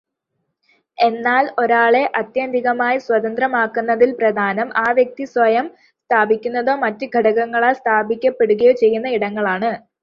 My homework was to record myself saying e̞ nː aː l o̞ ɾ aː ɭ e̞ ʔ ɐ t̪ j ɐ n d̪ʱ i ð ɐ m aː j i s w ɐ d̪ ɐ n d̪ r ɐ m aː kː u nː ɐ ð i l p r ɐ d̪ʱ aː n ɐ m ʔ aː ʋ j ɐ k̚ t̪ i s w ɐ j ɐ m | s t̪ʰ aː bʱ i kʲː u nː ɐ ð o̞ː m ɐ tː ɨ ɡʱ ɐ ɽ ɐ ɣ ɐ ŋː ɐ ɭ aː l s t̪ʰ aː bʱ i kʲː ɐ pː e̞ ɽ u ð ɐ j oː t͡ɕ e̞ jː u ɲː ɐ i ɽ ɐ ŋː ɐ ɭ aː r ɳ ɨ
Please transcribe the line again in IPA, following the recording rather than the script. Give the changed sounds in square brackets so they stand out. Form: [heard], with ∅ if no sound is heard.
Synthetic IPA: e̞ nː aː l o̞ ɾ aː ɭ e̞ ʔ ɐ t̪ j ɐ n d̪ʱ i [ɣ] ɐ m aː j i s w ɐ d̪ ɐ n d̪ r ɐ m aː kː u nː ɐ ð i l p r ɐ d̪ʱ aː n ɐ m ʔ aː ʋ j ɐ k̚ t̪ i s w ɐ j ɐ m | s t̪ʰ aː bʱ i kʲː u nː ɐ ð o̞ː m ɐ tː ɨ ɡʱ ɐ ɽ ɐ ɣ ɐ ŋː ɐ ɭ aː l s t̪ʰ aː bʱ i kʲː ɐ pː e̞ ɽ u [ɣ] ɐ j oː t͡ɕ e̞ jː u [nː] ɐ i ɽ ɐ ŋː ɐ ɭ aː [∅] ɳ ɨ